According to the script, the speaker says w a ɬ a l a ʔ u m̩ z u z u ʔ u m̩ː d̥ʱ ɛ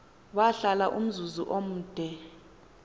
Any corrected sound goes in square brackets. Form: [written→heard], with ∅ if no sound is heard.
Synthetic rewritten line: w a ɬ a l a ʔ u m̩ z u z u ʔ [u→o] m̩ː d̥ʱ ɛ